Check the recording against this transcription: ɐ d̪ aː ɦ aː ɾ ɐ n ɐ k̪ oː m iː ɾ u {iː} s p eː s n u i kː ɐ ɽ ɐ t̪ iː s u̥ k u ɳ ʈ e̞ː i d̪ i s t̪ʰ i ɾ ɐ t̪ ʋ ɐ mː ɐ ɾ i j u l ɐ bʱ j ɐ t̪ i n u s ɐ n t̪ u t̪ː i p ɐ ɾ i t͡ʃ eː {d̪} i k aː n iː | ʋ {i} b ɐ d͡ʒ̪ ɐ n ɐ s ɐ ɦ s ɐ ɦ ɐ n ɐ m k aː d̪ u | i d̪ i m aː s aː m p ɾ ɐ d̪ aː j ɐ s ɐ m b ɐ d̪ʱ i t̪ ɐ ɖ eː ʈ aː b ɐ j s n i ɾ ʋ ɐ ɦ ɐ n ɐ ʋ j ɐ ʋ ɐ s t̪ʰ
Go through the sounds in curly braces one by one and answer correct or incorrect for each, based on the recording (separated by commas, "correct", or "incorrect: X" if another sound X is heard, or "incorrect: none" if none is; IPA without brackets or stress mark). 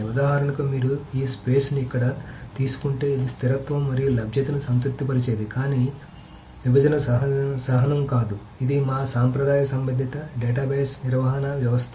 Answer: correct, correct, correct